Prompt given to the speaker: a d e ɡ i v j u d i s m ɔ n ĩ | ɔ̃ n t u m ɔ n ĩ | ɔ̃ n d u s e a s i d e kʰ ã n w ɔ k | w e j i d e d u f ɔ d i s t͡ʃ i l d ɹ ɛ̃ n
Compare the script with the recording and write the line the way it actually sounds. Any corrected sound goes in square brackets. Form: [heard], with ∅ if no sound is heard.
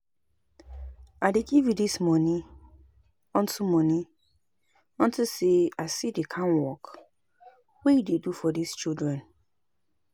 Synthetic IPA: a d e ɡ i v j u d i s m ɔ n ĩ | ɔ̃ n t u m ɔ n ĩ | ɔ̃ n [t] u s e a s i d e kʰ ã n w ɔ k | w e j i d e d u f ɔ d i s t͡ʃ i l d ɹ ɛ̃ n